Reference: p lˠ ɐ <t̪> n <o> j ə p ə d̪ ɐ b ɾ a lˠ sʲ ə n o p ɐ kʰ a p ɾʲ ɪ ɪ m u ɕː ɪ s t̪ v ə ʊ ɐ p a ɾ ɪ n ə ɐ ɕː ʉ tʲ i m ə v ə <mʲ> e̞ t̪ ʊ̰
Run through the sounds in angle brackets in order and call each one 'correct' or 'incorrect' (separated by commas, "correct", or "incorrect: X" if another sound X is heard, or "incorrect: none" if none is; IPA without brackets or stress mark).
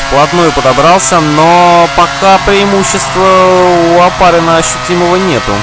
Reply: correct, correct, incorrect: nʲ